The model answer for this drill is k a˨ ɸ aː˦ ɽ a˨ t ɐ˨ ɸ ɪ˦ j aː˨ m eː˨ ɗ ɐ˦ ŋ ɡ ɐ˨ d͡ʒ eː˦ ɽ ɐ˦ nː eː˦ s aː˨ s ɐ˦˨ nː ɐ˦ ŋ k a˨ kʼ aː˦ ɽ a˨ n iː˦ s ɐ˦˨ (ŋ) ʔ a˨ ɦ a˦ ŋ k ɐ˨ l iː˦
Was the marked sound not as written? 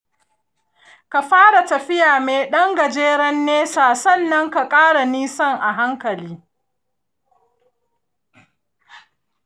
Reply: no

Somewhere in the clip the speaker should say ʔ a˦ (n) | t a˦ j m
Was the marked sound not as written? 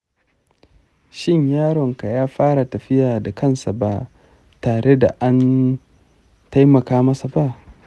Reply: no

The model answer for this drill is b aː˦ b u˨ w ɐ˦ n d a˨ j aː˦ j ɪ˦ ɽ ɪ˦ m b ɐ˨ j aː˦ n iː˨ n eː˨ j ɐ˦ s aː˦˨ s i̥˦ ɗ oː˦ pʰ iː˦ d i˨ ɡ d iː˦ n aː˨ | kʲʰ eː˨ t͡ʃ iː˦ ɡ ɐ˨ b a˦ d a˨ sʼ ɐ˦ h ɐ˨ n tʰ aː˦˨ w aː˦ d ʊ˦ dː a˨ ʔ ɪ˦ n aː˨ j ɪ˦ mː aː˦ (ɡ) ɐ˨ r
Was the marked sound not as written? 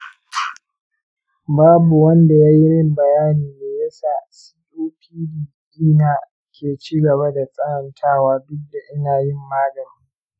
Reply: no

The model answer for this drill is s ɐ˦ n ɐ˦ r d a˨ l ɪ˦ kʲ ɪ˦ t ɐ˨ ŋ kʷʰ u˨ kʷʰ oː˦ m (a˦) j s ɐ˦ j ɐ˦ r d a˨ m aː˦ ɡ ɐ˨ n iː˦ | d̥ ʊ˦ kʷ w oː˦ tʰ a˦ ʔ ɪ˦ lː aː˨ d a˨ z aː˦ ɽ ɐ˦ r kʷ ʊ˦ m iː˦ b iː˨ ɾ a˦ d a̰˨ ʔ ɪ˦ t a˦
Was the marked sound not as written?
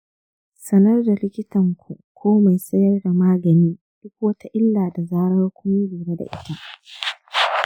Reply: yes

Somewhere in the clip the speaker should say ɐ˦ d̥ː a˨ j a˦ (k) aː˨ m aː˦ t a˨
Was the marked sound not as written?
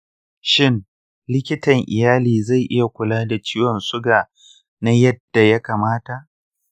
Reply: no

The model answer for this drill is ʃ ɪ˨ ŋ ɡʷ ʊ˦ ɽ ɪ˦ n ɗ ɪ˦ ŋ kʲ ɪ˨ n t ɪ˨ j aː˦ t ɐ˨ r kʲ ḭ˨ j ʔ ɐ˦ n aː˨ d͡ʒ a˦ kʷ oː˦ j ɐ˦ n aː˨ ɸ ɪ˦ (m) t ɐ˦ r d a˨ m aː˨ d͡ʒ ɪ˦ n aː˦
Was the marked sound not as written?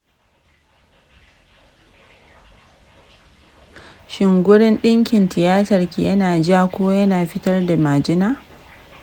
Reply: yes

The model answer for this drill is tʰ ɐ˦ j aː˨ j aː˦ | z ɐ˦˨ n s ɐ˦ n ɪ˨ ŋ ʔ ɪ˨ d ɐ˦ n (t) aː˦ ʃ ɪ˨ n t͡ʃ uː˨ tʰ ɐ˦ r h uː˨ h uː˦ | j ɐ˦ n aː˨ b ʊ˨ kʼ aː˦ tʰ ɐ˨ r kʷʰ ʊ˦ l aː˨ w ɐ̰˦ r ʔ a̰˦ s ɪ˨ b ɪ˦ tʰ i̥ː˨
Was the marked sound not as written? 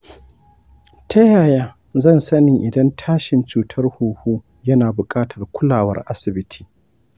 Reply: yes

